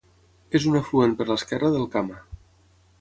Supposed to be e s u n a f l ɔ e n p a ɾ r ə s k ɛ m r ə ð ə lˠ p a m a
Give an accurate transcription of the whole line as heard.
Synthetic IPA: e z u n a f l u e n p ə ɾ l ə s k ɛ r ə ð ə lˠ k a m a